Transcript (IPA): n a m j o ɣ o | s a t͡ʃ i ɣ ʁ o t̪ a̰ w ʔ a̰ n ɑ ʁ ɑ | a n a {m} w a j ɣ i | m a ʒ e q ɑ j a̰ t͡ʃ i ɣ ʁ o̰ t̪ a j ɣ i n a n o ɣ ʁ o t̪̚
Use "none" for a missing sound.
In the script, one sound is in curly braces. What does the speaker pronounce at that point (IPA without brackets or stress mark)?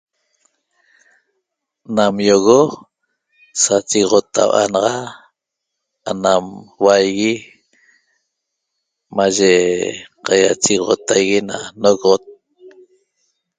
m